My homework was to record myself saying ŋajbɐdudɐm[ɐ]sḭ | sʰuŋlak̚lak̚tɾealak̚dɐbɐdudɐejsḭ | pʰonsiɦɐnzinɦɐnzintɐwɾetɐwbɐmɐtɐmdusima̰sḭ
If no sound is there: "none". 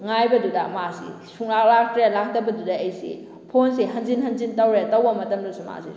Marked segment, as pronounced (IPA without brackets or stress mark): a